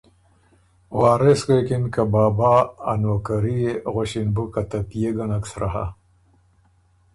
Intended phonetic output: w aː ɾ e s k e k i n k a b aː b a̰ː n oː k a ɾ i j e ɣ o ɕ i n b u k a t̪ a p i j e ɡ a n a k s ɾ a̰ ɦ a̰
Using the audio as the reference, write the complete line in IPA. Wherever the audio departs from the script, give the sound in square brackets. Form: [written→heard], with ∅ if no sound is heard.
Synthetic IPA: w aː ɾ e s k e k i n k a b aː b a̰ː n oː k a ɾ i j e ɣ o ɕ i n b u k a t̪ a p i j e ɡ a n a k s ɾ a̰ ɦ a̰